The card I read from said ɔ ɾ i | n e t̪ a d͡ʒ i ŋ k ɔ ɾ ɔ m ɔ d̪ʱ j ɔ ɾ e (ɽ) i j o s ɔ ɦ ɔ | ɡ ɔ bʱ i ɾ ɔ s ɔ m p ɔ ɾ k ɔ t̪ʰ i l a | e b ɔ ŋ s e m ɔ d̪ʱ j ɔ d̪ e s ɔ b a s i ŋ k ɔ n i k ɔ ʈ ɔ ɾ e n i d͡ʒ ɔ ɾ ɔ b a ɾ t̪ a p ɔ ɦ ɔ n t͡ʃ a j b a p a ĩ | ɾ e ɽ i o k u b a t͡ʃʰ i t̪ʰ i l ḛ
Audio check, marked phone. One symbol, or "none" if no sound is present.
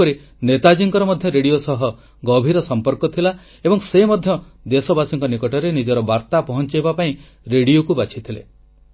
ɽ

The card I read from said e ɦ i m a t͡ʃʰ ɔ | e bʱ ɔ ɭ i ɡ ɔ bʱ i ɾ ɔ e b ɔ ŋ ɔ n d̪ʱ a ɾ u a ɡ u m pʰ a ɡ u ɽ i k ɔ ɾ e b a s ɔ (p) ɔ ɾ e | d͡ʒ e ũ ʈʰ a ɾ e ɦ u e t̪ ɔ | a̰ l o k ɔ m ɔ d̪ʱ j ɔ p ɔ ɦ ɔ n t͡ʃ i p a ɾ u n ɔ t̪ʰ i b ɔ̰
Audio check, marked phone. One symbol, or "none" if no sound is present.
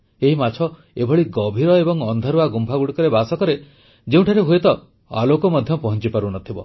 k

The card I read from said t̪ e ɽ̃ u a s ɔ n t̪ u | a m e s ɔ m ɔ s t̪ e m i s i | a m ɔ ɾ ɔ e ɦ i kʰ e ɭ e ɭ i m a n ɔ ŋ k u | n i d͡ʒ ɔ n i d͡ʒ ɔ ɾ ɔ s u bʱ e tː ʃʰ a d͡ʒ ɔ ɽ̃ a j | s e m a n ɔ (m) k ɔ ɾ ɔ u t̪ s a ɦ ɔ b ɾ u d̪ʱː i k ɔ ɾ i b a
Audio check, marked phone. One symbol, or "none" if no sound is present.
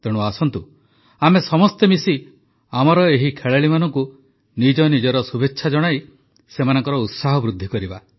ŋ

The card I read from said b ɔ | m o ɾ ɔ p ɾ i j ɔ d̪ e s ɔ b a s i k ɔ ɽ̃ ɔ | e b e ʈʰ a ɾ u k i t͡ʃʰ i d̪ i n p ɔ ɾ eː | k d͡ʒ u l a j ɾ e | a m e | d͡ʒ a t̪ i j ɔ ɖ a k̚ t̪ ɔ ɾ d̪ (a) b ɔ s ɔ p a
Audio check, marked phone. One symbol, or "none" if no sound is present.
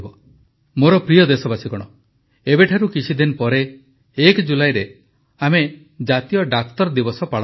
i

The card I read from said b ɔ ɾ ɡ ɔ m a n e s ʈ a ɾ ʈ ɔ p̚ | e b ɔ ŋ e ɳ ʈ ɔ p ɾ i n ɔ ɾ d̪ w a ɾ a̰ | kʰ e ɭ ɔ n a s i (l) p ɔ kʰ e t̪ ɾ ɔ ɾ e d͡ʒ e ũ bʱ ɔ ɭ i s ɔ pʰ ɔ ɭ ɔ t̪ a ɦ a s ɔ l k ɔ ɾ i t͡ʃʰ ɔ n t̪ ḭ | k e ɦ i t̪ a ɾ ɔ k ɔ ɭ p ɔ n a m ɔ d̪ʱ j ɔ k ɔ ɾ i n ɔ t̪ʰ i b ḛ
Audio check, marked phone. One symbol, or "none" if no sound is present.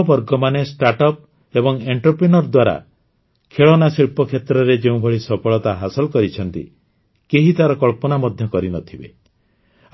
ɭ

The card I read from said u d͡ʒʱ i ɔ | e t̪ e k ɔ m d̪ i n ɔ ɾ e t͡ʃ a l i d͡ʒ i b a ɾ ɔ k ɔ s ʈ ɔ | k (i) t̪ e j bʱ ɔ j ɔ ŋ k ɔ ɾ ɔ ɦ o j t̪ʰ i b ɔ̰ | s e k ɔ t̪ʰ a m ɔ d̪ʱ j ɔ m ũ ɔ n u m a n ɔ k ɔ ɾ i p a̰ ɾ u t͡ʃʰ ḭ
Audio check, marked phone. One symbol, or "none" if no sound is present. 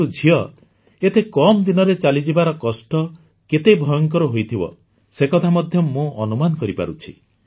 e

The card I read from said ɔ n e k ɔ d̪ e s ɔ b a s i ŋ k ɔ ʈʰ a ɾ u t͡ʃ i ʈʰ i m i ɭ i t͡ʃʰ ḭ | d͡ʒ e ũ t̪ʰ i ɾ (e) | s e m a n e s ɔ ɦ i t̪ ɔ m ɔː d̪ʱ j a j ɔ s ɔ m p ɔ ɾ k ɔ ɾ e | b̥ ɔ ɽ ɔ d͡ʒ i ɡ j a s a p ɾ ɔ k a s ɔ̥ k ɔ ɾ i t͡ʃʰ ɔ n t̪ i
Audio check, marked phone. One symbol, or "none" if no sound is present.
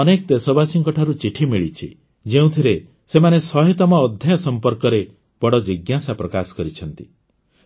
e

